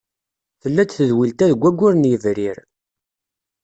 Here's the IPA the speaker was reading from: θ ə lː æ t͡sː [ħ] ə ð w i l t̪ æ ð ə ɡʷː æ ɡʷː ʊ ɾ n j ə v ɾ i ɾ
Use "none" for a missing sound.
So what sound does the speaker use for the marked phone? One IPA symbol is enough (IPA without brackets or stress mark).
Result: θ